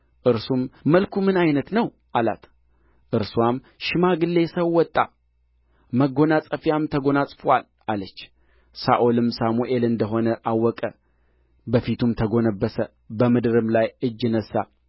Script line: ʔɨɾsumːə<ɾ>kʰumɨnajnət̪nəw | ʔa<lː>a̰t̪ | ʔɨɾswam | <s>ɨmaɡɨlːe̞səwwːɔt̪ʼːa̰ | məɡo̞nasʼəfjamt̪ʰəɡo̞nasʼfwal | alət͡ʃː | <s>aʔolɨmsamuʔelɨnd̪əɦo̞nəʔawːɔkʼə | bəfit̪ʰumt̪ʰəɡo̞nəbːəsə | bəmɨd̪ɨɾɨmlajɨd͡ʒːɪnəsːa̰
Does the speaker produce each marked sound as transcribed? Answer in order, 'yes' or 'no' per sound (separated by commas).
no, no, no, yes